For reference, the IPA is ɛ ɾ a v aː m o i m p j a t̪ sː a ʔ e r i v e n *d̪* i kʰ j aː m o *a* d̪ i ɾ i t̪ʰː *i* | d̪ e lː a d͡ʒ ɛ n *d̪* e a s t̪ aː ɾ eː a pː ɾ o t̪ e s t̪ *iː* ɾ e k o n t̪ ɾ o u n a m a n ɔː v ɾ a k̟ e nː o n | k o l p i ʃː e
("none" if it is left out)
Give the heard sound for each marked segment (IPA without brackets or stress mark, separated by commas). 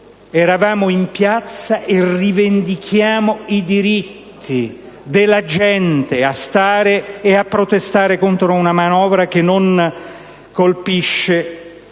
d̪, i, i, t̪, aː